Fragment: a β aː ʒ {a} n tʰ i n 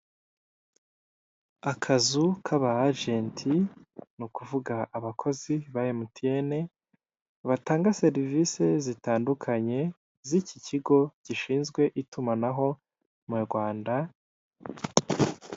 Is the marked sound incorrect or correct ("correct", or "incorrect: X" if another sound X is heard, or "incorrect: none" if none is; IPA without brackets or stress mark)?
incorrect: e